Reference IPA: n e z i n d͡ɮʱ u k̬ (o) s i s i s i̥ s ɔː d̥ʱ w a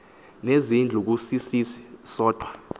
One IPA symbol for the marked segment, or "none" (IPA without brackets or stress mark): u